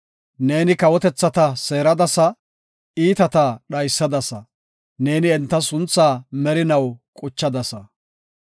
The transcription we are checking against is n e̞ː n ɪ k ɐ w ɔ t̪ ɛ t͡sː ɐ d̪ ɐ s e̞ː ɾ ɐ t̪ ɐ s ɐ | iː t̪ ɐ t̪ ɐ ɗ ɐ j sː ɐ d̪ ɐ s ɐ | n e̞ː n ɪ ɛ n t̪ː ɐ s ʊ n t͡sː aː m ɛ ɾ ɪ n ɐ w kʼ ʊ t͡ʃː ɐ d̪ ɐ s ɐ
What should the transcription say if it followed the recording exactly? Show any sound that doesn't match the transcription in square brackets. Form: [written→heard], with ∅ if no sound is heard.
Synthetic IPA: n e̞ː n ɪ k ɐ w ɔ t̪ ɛ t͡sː ɐ [d̪→t̪] ɐ s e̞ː ɾ ɐ [t̪→d̪] ɐ s ɐ | iː t̪ ɐ t̪ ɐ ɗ ɐ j sː ɐ d̪ ɐ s ɐ | n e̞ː n ɪ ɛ n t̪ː ɐ s ʊ n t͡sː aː m ɛ ɾ ɪ n ɐ w kʼ ʊ t͡ʃː ɐ d̪ ɐ s ɐ